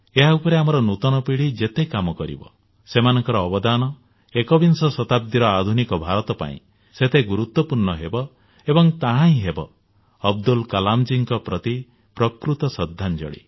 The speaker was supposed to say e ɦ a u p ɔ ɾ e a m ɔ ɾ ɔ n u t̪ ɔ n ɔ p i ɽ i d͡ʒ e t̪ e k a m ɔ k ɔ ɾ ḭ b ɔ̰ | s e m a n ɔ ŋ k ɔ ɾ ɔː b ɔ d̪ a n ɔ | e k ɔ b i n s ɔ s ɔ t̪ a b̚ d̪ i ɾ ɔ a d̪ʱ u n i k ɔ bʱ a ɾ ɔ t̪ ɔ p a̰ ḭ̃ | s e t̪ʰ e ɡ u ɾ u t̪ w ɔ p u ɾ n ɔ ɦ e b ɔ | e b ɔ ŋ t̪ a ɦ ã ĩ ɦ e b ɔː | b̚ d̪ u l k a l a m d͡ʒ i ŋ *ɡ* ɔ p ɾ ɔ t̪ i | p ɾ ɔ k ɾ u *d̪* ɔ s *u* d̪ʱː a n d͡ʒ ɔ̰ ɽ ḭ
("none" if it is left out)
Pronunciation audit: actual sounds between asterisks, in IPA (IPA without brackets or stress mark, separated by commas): k, t̪, ɔ